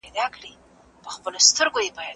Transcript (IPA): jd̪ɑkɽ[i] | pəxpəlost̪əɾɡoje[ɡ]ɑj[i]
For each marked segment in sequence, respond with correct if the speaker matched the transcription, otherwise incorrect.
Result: correct, incorrect: b, incorrect: a

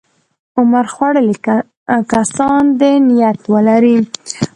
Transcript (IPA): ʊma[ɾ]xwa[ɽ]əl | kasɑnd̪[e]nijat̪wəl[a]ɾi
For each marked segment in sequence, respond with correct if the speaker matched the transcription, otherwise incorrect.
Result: correct, correct, correct, correct

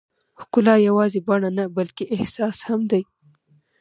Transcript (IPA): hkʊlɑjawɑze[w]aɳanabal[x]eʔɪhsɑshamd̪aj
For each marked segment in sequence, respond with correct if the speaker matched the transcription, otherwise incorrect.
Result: incorrect: b, incorrect: k

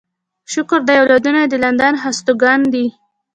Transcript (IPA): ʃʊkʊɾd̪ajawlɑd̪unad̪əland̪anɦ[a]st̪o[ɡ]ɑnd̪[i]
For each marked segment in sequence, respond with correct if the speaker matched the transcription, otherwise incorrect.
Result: correct, correct, correct

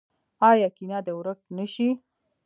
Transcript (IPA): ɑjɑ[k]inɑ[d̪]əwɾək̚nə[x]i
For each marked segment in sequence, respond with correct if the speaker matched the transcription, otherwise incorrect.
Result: correct, correct, incorrect: ʃ

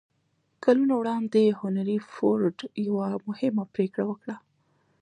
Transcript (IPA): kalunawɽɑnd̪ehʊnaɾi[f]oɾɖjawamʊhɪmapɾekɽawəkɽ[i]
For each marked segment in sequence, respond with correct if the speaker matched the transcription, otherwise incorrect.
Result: correct, incorrect: a

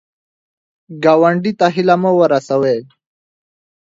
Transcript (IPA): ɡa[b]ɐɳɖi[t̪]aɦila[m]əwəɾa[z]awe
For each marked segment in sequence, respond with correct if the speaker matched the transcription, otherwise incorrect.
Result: incorrect: w, correct, correct, incorrect: s

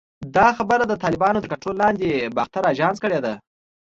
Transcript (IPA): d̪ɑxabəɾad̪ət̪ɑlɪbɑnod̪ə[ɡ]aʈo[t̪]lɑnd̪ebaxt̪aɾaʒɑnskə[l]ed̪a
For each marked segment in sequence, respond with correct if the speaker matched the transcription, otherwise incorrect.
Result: incorrect: k, incorrect: none, incorrect: ɽ

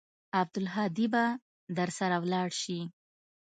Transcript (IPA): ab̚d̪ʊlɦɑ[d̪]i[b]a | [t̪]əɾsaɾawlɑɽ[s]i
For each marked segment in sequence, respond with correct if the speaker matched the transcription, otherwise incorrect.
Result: correct, correct, incorrect: d̪, incorrect: ʃ

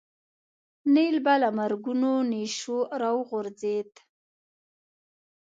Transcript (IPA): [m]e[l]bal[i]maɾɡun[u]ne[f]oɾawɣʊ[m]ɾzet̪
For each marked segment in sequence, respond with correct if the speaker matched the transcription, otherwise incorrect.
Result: incorrect: n, correct, incorrect: a, incorrect: o, incorrect: ʃ, incorrect: none

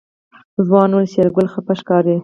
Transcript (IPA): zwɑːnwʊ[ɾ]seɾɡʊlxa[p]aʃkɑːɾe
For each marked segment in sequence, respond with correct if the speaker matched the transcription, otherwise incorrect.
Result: incorrect: l, correct

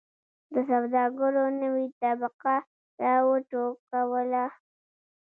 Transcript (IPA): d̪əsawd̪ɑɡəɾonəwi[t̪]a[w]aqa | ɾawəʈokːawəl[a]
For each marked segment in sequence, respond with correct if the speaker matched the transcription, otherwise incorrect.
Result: correct, incorrect: b, correct

